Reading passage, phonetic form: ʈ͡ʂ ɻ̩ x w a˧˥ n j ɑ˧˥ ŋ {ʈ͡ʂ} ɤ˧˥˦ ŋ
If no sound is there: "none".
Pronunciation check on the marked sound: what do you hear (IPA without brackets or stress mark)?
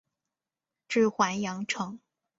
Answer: ʈ͡ʂʰ